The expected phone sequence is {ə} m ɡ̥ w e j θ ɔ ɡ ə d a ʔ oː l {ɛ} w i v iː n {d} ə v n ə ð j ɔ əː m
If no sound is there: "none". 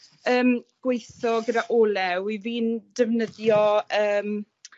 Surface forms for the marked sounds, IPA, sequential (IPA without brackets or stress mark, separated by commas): əː, ɛ, d